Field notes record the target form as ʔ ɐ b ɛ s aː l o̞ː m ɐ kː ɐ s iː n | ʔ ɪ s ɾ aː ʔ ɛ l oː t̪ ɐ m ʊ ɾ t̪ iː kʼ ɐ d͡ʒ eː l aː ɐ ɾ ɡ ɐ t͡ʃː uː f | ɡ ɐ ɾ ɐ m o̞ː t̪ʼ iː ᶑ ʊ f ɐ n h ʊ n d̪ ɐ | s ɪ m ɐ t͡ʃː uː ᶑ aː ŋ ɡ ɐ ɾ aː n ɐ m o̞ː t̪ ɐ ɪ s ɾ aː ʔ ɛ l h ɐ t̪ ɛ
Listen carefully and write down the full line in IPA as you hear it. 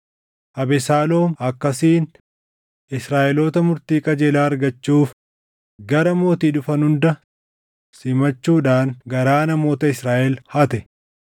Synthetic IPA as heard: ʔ ɐ b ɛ s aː l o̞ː m ɐ kː ɐ s iː n | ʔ ɪ s ɾ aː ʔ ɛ l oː t̪ ɐ m ʊ ɾ t̪ iː kʼ ɐ d͡ʒ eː l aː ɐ ɾ ɡ ɐ t͡ʃː uː f | ɡ ɐ ɾ ɐ m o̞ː t̪ iː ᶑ ʊ f ɐ n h ʊ n d̪ ɐ | s ɪ m ɐ t͡ʃː uː ᶑ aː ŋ ɡ ɐ ɾ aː n ɐ m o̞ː t̪ ɐ ɪ s ɾ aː ʔ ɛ l h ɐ t̪ ɛ